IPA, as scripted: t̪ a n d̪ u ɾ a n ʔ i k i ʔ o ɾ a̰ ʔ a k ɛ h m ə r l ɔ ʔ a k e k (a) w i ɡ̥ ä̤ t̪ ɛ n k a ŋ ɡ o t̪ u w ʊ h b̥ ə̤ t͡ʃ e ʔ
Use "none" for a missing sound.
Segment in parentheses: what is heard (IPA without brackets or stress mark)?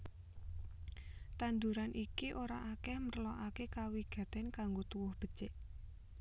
a